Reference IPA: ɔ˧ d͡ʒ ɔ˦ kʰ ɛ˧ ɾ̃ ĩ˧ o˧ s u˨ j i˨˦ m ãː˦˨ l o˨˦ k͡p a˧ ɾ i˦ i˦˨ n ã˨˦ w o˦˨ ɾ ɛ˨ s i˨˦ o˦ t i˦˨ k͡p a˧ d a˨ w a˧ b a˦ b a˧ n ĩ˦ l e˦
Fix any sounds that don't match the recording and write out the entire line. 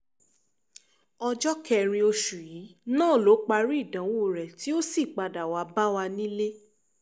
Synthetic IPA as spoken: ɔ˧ d͡ʒ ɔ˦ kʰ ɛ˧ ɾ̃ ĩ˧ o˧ ʃ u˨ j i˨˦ n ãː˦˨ l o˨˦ k͡p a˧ ɾ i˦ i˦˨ d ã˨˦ w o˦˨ ɾ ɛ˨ t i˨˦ o˦ s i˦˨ k͡p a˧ d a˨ w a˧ b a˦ w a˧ n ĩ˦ l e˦